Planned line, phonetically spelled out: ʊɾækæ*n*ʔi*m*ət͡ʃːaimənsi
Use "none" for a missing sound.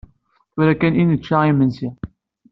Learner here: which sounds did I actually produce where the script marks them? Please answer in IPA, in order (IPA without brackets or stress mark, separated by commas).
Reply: n, n